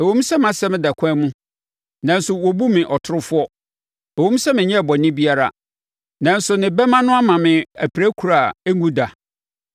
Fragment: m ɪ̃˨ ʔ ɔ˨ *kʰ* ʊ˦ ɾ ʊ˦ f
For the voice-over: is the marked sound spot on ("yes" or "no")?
no